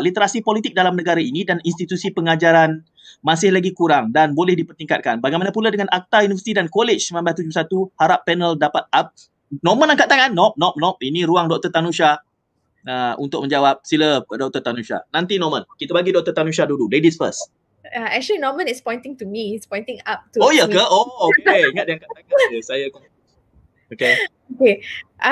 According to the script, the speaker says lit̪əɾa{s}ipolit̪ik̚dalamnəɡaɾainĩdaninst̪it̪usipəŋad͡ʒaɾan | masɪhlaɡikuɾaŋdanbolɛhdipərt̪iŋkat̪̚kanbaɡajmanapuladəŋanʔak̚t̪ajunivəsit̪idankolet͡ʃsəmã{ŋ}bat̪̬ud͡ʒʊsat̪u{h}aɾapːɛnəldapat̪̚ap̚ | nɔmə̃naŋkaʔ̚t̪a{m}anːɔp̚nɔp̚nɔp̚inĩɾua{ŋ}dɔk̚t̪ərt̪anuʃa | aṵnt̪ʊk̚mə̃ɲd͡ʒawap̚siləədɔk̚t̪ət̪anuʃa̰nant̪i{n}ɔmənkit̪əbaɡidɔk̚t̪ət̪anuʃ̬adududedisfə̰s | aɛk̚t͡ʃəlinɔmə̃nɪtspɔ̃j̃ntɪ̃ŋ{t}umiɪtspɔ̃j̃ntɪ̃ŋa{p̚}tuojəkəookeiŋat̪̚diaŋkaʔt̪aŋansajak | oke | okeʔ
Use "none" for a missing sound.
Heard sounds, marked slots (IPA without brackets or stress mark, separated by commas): s, m, h, ŋ, ŋ, n, t, p̚